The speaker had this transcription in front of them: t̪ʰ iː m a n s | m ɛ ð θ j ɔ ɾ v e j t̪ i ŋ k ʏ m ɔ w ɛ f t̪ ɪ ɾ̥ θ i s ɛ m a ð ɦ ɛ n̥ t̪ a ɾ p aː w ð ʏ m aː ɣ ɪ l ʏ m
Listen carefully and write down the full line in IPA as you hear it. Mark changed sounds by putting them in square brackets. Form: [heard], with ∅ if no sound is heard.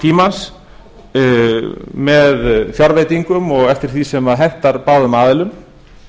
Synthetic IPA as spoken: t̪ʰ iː m a n s | m ɛ ð θ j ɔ ɾ v e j t̪ i ŋ k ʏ m ɔ [ɣ] ɛ f t̪ ɪ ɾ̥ θ i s ɛ m a ð ɦ ɛ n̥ t̪ a ɾ p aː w ð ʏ m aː [ð] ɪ l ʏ m